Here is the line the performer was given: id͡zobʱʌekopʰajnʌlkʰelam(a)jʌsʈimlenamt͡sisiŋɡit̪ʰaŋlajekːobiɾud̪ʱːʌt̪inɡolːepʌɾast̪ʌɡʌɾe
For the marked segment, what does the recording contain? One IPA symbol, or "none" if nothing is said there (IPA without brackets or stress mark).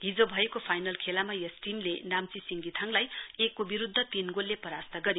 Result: a